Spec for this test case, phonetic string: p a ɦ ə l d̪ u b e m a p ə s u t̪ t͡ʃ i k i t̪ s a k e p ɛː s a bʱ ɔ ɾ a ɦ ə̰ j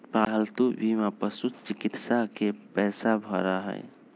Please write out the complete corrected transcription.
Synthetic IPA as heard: p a ɦ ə l t̪ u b i m a p ə s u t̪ t͡ʃ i k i t̪ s a k e p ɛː s a bʱ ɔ ɾ a ɦ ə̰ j